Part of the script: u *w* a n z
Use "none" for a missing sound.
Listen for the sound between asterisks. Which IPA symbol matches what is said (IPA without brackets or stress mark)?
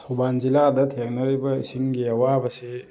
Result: b